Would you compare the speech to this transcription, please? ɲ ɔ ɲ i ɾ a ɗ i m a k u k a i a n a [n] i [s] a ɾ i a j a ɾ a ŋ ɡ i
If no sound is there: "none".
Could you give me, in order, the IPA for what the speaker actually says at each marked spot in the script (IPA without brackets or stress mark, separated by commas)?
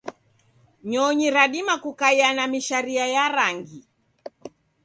m, ʃ